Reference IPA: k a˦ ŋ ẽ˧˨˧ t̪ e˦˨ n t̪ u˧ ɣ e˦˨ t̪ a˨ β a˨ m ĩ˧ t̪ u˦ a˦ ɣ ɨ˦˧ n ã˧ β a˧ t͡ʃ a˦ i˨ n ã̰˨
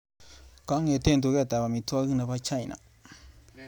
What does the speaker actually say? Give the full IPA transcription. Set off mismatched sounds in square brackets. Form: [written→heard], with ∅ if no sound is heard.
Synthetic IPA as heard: k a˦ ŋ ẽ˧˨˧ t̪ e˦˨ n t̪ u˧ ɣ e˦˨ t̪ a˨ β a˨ m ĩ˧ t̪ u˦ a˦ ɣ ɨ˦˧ n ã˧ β a˧ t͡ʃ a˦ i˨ n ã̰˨

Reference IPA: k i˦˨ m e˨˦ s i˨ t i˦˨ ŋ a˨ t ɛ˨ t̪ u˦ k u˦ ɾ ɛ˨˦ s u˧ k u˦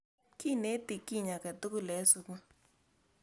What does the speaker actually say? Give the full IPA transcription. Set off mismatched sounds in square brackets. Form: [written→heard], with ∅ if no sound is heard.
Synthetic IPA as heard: k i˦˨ [m→n] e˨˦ [s→t] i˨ [t→k] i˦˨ [ŋ→ɲ] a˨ [t→k] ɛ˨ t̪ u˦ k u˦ [ɾ→l] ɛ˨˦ s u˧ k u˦

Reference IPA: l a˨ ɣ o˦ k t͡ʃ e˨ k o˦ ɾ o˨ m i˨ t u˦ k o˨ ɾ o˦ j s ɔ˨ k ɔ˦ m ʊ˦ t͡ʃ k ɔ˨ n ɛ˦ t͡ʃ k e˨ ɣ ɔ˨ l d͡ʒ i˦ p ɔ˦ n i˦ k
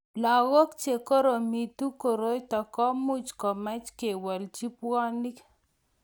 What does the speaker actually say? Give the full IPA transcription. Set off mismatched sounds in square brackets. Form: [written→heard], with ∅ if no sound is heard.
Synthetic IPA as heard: l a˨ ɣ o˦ k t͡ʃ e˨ k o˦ ɾ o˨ m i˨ t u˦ k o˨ ɾ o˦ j [s→t] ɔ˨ k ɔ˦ m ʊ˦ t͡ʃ k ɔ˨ [n→m] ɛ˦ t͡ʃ k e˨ [ɣ→w] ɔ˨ l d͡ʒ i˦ p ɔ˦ n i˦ k

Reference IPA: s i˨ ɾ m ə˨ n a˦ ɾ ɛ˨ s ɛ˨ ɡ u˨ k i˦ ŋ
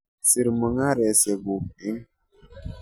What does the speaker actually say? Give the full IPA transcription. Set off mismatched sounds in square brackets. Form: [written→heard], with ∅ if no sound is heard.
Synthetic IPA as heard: s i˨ ɾ m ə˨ [n→ŋ] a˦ ɾ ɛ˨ s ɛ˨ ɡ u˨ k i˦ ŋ

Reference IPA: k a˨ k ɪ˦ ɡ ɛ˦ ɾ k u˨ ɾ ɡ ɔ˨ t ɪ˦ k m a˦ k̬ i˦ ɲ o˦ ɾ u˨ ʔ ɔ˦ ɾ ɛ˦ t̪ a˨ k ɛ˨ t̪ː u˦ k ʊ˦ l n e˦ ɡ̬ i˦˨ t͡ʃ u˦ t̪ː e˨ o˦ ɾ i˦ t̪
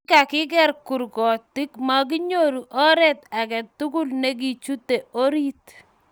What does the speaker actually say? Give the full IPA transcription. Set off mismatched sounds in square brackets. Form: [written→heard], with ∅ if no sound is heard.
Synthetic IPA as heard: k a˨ k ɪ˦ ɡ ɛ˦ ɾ k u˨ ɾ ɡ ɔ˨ t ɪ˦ k m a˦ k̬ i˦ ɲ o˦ ɾ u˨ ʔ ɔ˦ ɾ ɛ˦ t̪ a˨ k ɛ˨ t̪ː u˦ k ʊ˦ l n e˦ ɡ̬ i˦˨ t͡ʃ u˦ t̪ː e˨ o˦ ɾ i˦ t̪

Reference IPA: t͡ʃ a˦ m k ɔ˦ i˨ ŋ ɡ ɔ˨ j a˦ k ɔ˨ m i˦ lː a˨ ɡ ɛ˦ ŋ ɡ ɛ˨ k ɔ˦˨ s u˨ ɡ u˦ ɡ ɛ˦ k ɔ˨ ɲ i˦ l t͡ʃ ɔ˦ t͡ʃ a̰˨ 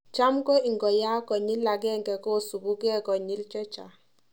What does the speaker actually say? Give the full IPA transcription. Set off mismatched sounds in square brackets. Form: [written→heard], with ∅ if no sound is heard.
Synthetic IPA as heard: t͡ʃ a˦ m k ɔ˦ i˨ ŋ ɡ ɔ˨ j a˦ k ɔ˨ [m→ɲ] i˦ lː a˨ ɡ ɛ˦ ŋ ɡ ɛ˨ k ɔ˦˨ s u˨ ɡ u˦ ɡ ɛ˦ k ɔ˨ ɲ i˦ l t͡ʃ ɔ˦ t͡ʃ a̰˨

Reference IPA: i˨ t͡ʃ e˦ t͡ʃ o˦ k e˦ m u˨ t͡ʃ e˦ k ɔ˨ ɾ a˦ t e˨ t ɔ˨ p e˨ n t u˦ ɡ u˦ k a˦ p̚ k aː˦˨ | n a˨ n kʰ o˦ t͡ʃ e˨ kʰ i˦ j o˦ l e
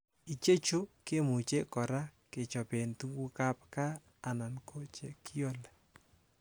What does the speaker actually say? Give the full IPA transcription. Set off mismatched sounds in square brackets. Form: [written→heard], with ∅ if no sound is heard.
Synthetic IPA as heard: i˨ t͡ʃ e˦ t͡ʃ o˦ k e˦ m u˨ t͡ʃ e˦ k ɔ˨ ɾ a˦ [t→k] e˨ [t→t͡ʃ] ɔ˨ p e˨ n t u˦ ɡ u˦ k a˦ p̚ k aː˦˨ | n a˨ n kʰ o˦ t͡ʃ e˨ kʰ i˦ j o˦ l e

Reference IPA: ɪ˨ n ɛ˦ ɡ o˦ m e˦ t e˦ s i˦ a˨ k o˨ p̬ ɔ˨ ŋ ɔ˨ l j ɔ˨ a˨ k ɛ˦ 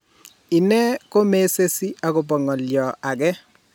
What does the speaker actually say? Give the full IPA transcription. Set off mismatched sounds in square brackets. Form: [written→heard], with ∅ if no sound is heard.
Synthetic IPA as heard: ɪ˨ n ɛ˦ [ɡ→k] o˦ m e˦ [t→s] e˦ s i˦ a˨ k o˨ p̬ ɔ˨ ŋ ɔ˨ l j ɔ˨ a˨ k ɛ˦

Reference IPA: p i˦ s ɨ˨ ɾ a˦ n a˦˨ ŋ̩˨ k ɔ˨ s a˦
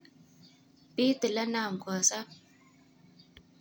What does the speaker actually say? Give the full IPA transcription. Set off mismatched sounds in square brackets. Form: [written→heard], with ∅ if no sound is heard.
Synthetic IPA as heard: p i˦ [s→t] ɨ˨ [ɾ→l] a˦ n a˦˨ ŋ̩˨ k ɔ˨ s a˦

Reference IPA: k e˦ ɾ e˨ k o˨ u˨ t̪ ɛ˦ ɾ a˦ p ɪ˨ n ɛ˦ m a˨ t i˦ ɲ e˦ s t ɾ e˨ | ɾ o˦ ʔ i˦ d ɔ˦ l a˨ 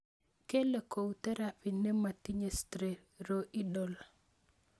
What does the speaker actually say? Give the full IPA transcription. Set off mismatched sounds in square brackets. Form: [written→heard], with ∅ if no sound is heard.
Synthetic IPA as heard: k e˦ [ɾ→l] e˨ k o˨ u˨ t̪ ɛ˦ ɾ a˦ p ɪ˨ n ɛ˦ m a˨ t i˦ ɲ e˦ s t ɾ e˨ | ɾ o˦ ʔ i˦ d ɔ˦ l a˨

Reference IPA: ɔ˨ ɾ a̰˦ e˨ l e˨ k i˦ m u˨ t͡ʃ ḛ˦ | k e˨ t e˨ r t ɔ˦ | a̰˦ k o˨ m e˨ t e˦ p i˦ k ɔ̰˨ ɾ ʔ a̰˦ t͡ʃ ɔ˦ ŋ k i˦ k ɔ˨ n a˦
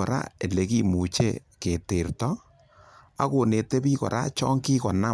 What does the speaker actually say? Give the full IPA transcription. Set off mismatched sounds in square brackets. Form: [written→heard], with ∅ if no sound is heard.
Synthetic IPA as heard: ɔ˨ ɾ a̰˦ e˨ l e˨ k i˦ m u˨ t͡ʃ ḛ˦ | k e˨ t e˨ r t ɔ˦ | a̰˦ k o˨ [m→n] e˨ t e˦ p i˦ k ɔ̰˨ ɾ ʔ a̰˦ t͡ʃ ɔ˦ ŋ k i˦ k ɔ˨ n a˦

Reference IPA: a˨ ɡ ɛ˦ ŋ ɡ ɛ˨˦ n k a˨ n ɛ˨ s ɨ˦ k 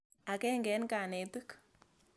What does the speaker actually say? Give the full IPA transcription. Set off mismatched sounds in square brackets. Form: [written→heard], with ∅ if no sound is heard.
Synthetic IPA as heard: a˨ [ɡ→k] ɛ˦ ŋ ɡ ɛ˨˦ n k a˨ n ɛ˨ [s→t] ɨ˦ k

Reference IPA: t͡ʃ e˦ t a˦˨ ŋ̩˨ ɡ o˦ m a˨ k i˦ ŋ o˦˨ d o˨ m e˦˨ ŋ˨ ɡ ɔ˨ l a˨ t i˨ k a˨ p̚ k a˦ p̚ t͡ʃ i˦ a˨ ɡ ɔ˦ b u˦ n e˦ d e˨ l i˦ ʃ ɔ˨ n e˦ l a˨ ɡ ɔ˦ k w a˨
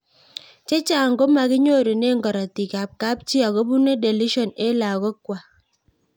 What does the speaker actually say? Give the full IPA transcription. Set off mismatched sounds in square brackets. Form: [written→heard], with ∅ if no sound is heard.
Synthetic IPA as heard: t͡ʃ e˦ [t→t͡ʃ] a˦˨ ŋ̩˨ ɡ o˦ m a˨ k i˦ [ŋ→ɲ] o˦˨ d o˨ [m→n] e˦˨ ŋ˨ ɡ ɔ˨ [l→ɾ] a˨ t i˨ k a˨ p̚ k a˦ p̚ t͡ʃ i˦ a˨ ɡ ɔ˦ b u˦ n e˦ d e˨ l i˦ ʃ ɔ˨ n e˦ l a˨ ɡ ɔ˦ k w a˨

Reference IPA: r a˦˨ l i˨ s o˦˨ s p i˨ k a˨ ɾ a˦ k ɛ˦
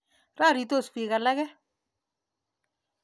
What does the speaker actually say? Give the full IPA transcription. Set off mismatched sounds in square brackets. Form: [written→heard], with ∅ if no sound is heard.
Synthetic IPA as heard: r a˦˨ [l→ɾ] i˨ [s→t] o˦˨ s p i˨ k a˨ [ɾ→l] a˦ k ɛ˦

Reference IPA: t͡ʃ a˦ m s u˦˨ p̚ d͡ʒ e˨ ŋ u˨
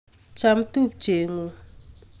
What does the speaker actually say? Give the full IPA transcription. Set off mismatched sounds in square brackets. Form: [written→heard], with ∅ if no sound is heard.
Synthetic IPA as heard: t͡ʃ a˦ m [s→t] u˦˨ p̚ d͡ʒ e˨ ŋ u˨

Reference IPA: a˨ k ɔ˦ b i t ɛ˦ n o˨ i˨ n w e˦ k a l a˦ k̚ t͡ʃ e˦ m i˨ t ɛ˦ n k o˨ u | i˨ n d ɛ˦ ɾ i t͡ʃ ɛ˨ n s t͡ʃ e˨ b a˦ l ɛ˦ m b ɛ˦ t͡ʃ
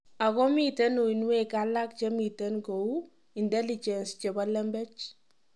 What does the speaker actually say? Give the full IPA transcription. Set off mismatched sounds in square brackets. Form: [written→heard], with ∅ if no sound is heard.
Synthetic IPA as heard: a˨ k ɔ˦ [b→m] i t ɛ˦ n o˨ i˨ n w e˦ k a l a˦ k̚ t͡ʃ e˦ m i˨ t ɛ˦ n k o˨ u | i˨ n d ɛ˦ [ɾ→l] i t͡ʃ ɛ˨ n s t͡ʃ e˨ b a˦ l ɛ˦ m b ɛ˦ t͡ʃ

